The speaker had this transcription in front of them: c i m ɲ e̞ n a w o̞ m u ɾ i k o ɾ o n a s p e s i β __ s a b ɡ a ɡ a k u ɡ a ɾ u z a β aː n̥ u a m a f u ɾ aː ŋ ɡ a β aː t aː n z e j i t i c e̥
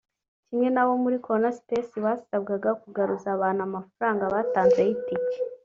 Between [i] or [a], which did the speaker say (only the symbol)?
a